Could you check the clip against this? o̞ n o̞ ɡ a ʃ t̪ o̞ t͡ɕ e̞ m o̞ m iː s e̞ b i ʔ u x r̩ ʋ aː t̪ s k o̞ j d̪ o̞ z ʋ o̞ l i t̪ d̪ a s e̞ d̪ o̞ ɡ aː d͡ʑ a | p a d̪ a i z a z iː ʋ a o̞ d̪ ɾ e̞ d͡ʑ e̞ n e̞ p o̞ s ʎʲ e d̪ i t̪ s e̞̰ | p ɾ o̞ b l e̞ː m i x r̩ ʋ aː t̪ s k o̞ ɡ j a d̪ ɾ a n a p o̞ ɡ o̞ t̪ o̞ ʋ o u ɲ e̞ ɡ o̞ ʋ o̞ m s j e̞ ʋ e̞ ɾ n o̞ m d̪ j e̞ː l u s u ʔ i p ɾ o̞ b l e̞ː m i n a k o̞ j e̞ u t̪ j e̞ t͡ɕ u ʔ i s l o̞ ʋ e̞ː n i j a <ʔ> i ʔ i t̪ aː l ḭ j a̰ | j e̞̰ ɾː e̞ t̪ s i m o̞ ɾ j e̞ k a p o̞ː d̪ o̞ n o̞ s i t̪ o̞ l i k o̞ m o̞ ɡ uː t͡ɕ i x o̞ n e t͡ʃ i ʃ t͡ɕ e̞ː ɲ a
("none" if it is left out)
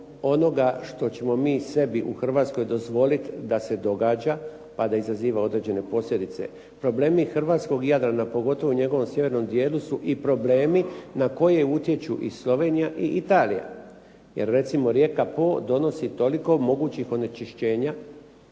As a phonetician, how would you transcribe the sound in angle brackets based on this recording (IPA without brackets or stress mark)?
ʔ